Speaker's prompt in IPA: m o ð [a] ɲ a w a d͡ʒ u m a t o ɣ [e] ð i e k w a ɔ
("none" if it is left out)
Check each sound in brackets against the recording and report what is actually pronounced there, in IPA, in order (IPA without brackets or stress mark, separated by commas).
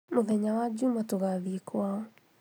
ɛ, a